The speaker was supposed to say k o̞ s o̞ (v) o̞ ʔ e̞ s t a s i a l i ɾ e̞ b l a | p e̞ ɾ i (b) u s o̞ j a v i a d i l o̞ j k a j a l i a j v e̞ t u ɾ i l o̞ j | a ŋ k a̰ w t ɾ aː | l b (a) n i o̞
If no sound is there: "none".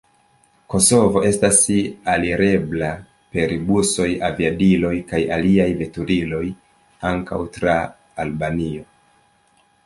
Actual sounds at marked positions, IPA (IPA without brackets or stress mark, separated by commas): v, b, a